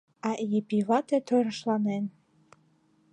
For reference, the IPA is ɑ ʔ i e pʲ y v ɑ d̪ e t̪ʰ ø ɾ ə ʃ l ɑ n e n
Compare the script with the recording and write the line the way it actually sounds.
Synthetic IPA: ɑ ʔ j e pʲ i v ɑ t̪ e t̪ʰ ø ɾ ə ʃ l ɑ n e n